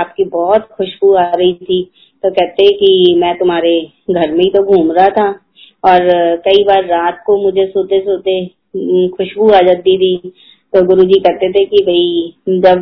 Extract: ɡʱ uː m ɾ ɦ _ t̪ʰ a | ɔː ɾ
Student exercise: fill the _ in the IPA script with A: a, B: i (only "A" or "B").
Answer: A